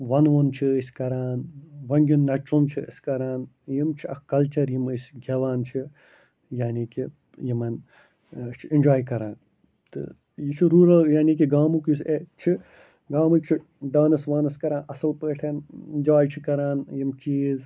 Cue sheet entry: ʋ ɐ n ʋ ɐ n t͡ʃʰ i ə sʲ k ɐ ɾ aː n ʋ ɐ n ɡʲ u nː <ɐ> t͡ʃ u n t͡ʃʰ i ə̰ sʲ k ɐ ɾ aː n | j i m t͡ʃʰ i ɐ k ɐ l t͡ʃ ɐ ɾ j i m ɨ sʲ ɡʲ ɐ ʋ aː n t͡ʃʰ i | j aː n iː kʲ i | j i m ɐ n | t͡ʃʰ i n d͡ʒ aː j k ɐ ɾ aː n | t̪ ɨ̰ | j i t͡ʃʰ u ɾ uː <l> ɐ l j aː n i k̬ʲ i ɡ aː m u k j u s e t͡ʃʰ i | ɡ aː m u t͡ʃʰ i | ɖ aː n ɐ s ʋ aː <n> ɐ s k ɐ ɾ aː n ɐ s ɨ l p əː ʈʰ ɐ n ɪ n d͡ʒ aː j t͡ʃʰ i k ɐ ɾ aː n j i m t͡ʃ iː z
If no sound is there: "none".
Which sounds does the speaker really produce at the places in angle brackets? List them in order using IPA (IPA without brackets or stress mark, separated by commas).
ɐ, ɾ, n